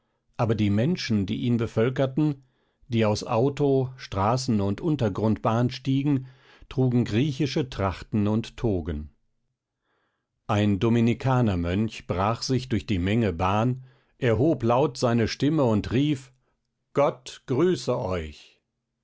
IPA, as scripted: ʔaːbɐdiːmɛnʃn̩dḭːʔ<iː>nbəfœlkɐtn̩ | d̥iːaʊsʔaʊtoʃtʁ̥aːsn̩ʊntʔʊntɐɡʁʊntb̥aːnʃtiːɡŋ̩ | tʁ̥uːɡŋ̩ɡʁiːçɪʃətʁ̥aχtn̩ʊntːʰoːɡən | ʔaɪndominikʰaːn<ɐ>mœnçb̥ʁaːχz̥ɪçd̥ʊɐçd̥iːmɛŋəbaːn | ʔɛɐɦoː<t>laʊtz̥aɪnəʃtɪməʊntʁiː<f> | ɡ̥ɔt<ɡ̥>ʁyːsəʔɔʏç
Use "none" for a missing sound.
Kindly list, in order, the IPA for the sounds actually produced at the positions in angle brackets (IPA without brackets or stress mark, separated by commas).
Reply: iː, ɐ, p, f, ɡ̥